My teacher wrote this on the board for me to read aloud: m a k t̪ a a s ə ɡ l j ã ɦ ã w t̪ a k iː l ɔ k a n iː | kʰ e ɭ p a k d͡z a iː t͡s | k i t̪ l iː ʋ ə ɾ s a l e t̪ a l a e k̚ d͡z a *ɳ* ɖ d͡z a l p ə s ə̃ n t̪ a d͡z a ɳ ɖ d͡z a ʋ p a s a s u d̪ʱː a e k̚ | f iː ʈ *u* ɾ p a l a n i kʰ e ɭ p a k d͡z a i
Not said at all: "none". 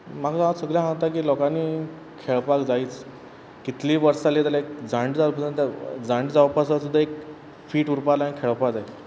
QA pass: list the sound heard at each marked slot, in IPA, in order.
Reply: ɳ, u

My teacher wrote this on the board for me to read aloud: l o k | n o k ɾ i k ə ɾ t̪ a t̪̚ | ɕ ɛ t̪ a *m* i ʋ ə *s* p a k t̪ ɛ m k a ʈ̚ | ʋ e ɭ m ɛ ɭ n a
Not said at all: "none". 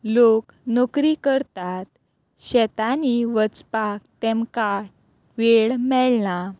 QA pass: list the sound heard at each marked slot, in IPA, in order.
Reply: n, t͡s

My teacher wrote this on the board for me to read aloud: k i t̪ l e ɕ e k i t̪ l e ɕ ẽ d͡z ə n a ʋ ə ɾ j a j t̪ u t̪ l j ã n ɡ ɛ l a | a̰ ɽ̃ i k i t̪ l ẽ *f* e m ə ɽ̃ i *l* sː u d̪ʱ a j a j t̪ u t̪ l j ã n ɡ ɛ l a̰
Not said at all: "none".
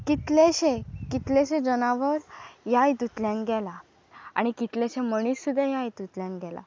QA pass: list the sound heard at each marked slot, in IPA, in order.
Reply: ɕ, none

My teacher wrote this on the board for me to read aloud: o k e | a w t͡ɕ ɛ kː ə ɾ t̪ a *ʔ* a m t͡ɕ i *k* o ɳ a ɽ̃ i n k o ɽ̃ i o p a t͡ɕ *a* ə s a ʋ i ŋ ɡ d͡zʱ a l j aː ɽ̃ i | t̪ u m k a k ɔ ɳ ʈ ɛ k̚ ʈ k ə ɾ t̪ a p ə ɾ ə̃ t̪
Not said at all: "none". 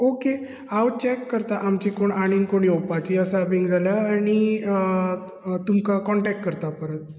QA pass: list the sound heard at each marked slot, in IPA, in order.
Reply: ʔ, k, i

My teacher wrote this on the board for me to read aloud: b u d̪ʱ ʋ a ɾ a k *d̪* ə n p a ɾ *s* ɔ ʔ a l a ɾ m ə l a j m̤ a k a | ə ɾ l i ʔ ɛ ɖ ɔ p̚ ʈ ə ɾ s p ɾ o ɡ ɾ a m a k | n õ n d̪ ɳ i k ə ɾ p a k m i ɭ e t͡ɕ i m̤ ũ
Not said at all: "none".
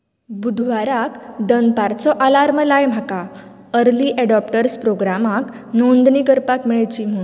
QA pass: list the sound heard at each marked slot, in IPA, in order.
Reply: d̪, t͡s

